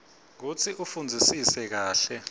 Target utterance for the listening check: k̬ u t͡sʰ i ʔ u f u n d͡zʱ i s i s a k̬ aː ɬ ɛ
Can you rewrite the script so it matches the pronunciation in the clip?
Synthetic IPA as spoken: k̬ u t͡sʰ i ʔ u f u n d͡zʱ i s i s ɛ k̬ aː ɬ ɛ